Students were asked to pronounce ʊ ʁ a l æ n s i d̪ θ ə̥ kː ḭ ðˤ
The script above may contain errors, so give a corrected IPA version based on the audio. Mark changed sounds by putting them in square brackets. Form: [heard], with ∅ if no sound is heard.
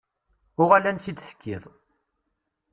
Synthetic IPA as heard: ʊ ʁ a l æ n s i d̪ θ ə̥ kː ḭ ðˤ